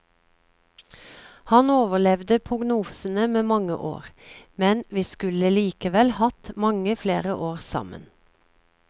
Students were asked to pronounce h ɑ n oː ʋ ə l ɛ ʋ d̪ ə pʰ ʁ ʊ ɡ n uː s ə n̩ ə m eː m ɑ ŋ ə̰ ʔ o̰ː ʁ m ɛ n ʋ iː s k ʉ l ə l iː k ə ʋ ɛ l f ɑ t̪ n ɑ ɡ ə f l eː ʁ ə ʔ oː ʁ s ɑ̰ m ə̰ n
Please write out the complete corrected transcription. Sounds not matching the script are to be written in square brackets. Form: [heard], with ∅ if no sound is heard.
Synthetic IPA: h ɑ n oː ʋ ə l ɛ ʋ d̪ ə pʰ ʁ ʊ ɡ n uː s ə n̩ ə m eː m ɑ ŋ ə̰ ʔ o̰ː ʁ m ɛ n ʋ iː s k ʉ l ə l iː k ə ʋ ɛ l [h] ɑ t̪ [m] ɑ [ŋ] ə f l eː ʁ ə ʔ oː ʁ s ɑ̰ m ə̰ n